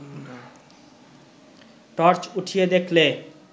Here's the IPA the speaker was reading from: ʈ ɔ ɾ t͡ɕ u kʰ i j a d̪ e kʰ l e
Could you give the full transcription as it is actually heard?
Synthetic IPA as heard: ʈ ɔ ɾ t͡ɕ u ʈʰ i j e d̪ e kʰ l e